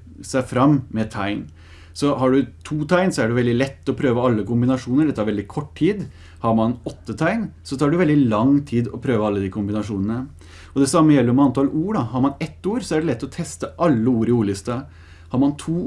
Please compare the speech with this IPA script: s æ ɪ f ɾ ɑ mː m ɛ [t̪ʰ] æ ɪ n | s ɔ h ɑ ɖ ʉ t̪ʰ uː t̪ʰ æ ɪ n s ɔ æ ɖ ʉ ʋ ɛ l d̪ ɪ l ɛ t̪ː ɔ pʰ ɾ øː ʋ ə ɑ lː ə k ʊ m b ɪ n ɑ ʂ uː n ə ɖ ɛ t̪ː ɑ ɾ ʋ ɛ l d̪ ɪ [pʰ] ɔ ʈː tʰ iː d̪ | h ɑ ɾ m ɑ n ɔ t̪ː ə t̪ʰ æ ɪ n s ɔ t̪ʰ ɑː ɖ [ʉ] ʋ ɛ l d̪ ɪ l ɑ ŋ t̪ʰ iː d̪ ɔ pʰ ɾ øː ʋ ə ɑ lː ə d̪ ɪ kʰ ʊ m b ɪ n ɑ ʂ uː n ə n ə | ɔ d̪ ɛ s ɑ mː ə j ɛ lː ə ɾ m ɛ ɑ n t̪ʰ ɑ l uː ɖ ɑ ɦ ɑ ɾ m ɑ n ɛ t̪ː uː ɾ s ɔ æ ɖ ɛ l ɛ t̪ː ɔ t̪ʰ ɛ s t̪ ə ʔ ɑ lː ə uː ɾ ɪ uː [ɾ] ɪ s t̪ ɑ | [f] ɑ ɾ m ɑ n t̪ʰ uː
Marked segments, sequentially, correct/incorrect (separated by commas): correct, incorrect, correct, incorrect, incorrect